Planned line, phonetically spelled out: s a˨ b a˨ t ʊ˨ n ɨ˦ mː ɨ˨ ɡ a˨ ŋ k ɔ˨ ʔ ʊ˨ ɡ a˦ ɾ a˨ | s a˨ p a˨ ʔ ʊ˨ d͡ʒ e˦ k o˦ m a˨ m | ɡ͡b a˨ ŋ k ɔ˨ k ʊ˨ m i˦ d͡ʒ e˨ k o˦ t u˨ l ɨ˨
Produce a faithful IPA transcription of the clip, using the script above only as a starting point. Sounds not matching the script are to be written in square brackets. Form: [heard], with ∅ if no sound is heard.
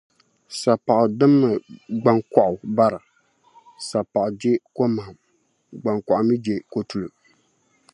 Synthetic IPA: s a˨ [p] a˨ [ʔ] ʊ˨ [d] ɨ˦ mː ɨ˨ [ɡ͡b] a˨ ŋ k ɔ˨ ʔ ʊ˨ [b] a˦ ɾ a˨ | s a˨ p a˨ ʔ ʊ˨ d͡ʒ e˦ k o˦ m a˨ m | ɡ͡b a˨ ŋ k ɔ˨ [ʔ] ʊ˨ m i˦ d͡ʒ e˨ k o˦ t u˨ l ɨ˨

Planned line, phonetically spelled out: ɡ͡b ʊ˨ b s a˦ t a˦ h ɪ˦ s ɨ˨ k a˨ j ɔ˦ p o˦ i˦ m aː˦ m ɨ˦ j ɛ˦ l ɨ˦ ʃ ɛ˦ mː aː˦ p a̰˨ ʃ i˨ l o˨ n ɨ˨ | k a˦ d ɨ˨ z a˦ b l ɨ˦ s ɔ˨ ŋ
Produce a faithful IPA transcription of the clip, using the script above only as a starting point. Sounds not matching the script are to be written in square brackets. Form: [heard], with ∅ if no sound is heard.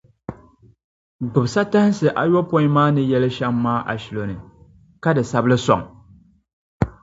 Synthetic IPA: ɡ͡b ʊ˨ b s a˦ t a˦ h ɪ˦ s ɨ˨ [ʔ] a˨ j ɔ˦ p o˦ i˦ m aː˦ [n] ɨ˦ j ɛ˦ l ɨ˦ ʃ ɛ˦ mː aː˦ [ʔ] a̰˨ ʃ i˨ l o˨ n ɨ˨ | k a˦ d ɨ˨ [s] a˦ b l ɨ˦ s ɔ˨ ŋ

